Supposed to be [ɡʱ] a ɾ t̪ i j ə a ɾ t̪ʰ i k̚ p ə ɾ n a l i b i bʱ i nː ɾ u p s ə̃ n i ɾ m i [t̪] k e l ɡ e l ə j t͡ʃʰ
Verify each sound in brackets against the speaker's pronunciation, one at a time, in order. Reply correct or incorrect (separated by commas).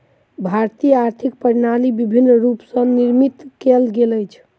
incorrect, correct